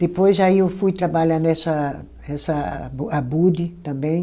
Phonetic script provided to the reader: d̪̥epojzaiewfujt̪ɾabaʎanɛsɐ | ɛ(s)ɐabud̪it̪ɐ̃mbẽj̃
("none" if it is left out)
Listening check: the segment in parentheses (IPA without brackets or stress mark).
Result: s